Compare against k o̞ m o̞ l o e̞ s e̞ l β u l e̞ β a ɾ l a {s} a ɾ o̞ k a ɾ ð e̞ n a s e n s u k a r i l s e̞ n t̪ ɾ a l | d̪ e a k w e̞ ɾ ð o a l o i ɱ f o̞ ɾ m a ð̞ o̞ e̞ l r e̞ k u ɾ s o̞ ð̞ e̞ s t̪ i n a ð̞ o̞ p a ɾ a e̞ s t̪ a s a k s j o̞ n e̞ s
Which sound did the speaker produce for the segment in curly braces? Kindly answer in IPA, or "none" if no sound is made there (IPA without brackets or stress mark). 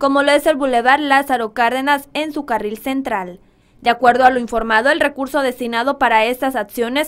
s